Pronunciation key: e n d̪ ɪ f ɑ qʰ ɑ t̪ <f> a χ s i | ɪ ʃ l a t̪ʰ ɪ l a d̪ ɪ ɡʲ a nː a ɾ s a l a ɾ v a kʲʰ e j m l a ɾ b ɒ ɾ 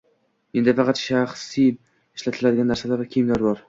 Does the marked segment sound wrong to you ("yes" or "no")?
yes